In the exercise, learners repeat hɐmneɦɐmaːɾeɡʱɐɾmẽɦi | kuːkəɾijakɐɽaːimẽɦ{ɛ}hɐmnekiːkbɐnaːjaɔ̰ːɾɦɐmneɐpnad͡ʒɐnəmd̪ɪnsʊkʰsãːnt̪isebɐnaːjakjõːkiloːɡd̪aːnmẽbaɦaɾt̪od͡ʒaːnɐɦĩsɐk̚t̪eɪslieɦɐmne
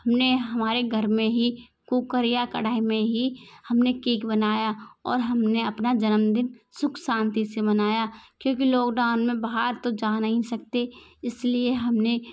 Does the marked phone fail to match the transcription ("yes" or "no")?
yes